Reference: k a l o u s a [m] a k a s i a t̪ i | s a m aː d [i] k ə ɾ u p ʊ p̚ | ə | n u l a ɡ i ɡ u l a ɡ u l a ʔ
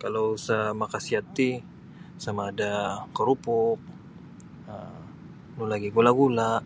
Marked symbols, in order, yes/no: yes, no

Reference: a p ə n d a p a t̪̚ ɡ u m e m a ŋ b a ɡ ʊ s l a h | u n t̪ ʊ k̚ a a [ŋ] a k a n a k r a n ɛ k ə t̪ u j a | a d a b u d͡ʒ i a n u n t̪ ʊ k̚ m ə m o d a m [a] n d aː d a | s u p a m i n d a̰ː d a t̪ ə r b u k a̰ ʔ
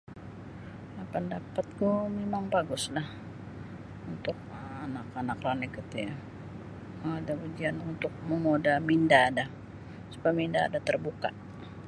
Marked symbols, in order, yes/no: no, no

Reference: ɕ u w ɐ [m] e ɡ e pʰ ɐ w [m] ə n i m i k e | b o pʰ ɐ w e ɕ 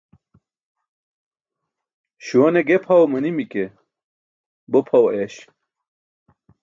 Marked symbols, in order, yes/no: no, yes

